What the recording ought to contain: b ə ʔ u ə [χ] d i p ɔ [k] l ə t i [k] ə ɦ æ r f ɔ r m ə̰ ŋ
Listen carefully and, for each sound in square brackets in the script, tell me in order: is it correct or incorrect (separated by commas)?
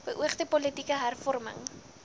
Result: correct, incorrect, correct